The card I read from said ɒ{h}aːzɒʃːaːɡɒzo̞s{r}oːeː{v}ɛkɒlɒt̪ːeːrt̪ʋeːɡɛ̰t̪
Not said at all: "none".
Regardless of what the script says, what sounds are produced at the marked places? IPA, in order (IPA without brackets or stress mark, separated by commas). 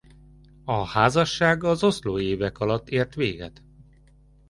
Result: h, l, v